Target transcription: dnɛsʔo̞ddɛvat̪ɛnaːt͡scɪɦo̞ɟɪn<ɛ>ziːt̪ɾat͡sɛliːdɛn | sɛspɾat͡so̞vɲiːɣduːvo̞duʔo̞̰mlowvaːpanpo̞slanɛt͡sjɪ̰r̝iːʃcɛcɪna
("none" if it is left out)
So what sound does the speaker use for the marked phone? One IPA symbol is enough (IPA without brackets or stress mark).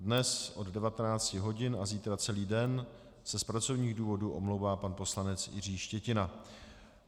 a